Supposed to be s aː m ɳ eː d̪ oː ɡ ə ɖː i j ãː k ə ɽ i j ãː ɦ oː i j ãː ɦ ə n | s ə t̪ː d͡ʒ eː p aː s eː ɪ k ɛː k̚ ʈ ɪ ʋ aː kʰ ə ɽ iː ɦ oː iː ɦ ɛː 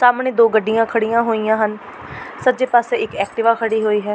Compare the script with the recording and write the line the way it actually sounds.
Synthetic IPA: s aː m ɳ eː d̪ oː ɡ ə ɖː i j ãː kʰ ə ɽ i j ãː ɦ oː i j ãː ɦ ə n | s ə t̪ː d͡ʒ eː p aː s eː ɪ k ɛː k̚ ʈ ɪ ʋ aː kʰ ə ɽ iː ɦ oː iː ɦ ɛː